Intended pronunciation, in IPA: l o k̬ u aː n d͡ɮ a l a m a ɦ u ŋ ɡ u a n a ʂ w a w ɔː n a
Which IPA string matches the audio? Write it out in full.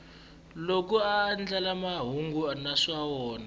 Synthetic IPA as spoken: l o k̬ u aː n d͡ɮ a l a m a ɦ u ŋ ɡ u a n a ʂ w a w ɔː n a